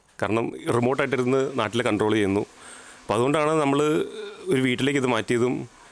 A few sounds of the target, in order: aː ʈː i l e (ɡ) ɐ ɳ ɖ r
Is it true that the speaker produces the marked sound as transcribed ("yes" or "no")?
no